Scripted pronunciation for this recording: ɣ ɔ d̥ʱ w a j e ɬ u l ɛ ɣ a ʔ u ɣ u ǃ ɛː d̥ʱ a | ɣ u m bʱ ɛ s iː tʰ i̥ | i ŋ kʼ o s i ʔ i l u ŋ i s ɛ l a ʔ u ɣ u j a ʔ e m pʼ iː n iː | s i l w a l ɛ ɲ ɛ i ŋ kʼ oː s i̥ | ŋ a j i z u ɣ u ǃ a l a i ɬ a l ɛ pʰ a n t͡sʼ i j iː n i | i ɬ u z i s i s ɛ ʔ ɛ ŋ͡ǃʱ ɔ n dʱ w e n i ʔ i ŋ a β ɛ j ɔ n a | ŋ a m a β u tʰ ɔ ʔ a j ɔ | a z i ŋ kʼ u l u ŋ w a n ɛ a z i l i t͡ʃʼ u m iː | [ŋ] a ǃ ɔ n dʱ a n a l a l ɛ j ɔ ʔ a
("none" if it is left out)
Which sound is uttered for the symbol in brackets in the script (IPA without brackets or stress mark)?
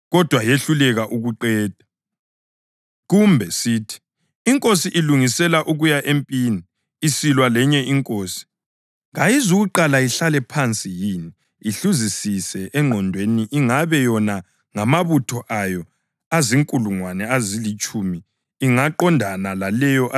ŋ